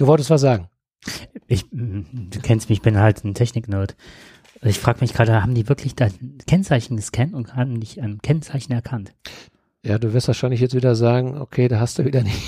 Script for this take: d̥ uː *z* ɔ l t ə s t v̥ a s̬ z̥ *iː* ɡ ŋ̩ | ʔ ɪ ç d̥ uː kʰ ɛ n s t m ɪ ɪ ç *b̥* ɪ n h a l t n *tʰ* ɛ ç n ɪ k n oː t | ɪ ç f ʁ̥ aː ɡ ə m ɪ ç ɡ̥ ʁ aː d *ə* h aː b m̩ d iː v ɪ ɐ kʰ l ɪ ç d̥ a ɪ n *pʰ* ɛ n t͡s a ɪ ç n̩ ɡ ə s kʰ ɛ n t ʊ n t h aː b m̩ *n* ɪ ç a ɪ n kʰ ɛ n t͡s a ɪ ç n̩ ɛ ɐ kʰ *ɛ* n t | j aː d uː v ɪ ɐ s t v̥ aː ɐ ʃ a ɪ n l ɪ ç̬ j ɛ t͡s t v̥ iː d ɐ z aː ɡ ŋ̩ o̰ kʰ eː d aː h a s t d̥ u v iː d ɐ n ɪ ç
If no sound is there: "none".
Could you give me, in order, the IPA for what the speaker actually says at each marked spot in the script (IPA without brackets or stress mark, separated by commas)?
v, aː, b̥, tʰ, ə, kʰ, d, a